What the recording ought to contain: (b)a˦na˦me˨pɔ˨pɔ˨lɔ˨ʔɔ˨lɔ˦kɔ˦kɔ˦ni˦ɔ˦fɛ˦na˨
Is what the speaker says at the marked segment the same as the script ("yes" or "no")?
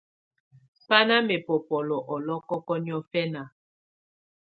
no